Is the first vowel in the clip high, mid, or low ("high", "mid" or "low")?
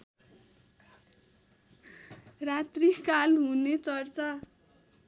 low